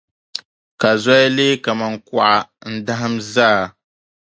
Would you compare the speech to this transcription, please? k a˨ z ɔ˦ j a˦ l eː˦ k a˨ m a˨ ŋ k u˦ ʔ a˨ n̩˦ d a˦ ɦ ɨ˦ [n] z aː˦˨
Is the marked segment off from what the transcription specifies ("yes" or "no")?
yes